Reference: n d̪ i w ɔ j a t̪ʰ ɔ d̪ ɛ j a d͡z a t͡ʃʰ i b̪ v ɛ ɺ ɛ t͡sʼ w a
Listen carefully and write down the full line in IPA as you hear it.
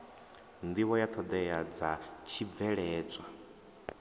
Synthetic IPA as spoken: n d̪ i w ɔ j a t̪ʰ ɔ d̪ ɛ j a d͡z a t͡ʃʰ i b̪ v ɛ ɺ ɛː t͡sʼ w a

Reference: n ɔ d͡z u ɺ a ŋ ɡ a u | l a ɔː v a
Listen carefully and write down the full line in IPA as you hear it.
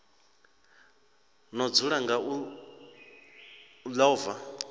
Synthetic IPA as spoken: n ɔ d͡z u ɺ a ŋ ɡ a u | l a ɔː v a

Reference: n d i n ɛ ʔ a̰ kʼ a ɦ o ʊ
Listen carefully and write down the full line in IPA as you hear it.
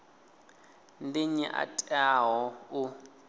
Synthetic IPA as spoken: n d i ɲ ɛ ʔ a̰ tʼ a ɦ ɔ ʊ

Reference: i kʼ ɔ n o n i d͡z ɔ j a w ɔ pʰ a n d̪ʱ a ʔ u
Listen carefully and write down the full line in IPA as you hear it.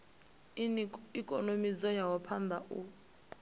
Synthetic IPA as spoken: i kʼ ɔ n o m i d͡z ɔ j a w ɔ pʰ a n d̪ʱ a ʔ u

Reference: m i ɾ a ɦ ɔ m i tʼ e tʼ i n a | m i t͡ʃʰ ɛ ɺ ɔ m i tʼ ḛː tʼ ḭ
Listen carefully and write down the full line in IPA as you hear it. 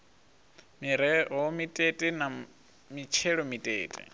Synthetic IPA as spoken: m i ɾ ɛ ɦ ɔ m i tʼ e tʼ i n a | m i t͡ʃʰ ɛ ɺ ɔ m i tʼ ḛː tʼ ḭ

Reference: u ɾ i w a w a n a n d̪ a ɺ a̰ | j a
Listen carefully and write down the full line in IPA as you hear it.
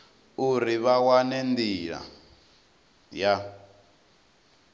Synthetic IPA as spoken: u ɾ i β a w a n ɛ n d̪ i ɺ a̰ | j a

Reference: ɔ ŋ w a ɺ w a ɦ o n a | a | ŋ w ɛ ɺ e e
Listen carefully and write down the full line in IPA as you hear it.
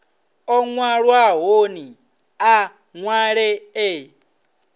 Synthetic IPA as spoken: ɔ ŋ w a ɺ w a ɦ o n i | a | ŋ w a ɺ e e

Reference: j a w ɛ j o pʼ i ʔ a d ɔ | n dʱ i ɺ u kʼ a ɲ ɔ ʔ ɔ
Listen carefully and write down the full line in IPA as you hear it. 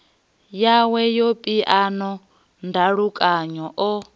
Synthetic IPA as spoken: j a w ɛ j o pʼ i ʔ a n ɔ | n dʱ a ɺ u kʼ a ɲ ɔ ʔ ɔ

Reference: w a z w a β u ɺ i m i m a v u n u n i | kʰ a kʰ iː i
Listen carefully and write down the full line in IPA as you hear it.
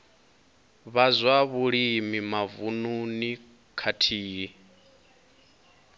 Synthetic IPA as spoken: β a z w a β u ɺ i m i m a v u n u n i | kʰ a tʰ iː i

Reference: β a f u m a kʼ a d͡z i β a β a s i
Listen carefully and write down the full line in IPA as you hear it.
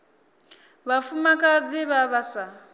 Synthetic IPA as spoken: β a f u m a kʼ a d͡z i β a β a s a

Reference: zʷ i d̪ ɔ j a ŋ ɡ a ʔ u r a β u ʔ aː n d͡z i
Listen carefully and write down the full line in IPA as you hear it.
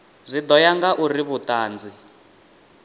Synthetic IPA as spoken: zʷ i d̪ ɔ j a ŋ ɡ a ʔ u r i β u t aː n d͡z i

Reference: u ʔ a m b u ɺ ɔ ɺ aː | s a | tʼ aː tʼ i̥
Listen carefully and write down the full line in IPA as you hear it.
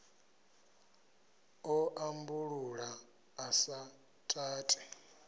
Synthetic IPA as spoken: ɔ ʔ a m b u ɺ u ɺ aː | s a | tʼ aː tʼ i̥

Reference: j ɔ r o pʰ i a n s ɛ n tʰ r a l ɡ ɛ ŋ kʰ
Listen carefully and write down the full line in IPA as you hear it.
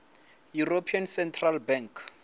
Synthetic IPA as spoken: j u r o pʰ i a n s ɛ n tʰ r a l b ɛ ŋ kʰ

